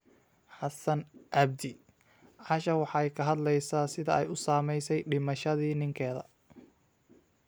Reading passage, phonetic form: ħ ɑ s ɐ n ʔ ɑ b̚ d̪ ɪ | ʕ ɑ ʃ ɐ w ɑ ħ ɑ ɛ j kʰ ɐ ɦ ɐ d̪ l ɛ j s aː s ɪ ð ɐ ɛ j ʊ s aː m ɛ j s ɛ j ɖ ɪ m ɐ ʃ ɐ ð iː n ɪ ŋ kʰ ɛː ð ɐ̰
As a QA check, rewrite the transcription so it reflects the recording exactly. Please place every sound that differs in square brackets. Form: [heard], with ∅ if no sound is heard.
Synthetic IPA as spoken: ħ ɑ s ɐ n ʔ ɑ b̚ d̪ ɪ | ʕ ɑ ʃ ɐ w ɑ ħ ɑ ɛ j kʰ ɐ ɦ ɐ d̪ l ɛ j s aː s ɪ ð ɐ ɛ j ʊ s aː m ɛ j s ɛ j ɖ ɪ m ɐ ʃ ɐ ð iː n ɪ ŋ kʰ ɛː ð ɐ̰